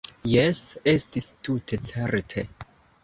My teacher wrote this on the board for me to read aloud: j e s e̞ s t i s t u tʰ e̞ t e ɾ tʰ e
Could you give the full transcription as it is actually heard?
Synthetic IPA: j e s e̞ s t i s t u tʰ e̞ t͡s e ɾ tʰ e